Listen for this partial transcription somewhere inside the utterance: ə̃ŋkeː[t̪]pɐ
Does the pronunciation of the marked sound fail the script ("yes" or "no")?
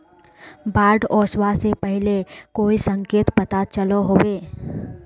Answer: no